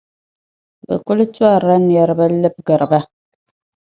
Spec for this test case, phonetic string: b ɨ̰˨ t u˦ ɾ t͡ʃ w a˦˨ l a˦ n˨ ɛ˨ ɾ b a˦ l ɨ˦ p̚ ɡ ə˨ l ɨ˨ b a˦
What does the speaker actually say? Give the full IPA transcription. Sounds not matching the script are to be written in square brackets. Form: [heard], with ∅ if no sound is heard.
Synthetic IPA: b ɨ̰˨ [k] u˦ [l] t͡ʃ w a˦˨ [ɾ] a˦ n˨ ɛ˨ ɾ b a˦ l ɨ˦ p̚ ɡ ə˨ [ɾ] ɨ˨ b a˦